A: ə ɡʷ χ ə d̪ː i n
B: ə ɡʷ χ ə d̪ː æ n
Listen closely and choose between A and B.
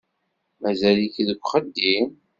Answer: A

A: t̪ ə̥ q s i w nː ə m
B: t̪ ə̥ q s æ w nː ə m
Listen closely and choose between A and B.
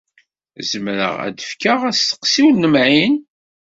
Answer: A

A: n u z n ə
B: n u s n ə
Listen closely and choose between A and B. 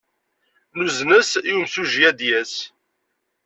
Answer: A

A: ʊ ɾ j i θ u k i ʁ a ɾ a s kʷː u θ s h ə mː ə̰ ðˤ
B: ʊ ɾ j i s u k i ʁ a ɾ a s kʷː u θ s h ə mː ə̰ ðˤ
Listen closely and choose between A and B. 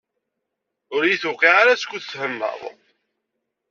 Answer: A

